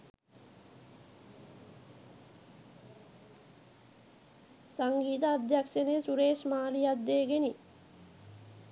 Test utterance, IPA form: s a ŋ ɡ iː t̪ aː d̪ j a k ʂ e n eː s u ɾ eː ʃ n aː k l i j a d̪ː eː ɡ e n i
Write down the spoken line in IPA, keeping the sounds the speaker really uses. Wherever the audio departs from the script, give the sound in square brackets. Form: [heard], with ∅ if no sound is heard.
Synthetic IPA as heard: s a ŋ ɡ iː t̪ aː d̪ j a k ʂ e n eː s u ɾ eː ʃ [m] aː [∅] l i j a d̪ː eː ɡ e n i